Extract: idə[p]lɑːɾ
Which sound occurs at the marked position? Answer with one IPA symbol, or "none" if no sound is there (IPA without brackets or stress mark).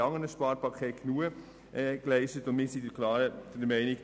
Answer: k